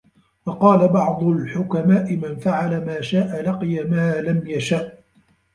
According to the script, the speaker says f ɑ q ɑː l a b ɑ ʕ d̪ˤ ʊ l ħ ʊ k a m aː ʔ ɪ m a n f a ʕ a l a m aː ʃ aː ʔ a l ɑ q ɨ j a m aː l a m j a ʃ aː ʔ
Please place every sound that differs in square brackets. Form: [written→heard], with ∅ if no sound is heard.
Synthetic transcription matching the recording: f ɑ q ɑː l a b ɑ ʕ d̪ˤ ʊ l ħ ʊ k a m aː ʔ ɪ m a n f a ʕ a l a m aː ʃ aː ʔ a l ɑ q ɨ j a m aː l a m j a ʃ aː ʔ